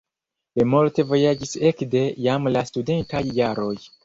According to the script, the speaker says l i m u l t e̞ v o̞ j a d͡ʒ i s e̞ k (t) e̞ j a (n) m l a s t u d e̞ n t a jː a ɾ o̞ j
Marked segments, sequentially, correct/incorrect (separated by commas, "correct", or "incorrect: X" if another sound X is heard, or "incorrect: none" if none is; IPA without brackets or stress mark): incorrect: d, incorrect: none